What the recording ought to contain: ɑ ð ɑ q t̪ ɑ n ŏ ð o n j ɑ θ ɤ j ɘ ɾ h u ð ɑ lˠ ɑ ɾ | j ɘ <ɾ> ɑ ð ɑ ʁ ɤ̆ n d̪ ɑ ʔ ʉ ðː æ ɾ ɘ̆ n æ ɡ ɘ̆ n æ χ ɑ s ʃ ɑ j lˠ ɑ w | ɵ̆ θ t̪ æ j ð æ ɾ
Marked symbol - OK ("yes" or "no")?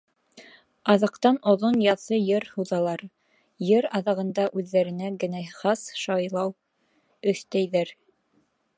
yes